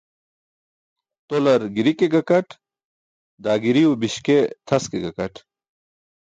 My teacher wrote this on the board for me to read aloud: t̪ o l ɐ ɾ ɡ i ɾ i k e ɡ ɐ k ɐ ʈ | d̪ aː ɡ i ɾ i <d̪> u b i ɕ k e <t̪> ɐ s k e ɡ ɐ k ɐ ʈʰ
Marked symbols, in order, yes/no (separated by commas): no, no